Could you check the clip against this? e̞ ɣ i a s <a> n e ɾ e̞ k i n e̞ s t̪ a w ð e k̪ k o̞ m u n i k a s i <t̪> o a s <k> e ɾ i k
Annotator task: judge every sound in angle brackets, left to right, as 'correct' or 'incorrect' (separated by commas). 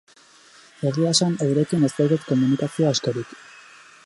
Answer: correct, incorrect, correct